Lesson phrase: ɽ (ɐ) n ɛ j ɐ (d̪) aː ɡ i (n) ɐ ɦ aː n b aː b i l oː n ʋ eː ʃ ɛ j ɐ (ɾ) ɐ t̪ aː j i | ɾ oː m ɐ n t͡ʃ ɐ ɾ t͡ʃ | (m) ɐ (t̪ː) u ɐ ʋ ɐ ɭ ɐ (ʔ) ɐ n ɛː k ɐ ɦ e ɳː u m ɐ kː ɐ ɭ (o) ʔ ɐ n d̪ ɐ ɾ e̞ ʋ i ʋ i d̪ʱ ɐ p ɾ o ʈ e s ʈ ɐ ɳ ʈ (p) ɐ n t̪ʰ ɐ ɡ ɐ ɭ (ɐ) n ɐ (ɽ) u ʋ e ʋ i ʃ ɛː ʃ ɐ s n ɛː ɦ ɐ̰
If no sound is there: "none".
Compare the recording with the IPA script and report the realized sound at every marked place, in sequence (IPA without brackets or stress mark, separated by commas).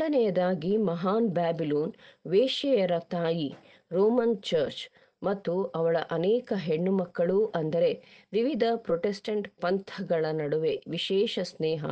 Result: ɐ, d̪, m, ɾ, m, t̪ː, ʔ, u, p, ɐ, ɽ